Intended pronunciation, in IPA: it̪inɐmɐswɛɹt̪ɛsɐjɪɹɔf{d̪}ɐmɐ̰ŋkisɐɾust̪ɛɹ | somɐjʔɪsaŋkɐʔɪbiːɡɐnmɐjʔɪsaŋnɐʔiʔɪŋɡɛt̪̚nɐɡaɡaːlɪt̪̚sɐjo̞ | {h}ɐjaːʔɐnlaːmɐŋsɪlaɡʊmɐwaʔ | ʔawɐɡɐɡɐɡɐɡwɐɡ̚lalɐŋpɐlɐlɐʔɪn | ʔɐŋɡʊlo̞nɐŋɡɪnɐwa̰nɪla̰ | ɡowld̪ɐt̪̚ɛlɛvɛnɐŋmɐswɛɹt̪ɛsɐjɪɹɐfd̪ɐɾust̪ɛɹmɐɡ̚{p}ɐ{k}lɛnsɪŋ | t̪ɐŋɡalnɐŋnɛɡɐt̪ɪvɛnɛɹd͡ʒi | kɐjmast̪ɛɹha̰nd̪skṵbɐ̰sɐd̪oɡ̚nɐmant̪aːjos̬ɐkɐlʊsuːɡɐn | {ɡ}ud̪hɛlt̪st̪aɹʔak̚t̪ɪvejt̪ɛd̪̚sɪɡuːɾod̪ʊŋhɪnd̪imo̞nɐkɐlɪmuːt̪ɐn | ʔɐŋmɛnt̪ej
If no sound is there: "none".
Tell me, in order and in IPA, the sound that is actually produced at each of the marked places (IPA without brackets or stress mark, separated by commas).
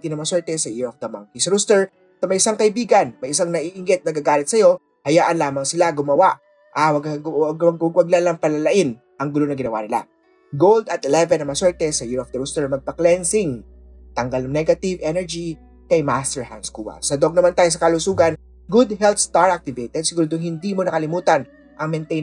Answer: d̪, h, p, k, ɡ